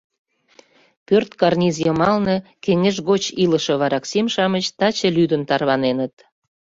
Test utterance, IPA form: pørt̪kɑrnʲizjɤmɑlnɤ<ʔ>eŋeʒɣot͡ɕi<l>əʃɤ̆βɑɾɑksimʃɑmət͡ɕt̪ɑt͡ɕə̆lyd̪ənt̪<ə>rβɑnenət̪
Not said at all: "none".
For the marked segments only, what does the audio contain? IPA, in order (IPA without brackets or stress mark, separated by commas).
k, l, ɑ